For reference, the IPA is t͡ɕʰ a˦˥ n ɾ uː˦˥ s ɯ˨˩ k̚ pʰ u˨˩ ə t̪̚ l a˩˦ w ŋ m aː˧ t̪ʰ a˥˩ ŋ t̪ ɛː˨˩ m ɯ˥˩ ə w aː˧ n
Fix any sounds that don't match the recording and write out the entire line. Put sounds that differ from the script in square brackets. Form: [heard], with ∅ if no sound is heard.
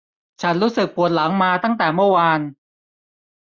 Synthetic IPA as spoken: t͡ɕʰ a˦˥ n ɾ uː˦˥ s ɯ˨˩ k̚ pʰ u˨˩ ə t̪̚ l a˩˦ [∅] ŋ m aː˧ [t̪] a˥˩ ŋ t̪ ɛː˨˩ m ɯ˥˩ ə w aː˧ n